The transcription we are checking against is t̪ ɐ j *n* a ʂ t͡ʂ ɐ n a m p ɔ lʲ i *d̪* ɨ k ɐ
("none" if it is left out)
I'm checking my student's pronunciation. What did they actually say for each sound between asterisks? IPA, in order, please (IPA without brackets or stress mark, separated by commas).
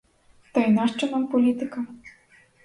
n, t̪